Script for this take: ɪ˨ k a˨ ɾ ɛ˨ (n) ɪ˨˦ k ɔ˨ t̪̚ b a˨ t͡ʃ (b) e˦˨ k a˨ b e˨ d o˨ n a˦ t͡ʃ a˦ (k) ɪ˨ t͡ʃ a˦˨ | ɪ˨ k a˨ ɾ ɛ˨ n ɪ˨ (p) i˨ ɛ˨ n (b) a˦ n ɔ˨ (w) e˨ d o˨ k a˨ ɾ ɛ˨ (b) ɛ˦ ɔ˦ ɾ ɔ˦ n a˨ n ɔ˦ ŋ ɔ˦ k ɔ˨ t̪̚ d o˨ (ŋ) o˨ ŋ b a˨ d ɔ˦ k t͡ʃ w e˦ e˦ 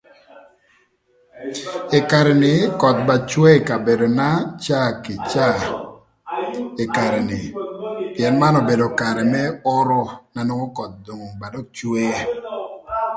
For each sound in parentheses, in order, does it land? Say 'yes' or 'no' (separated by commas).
yes, no, yes, yes, no, no, no, yes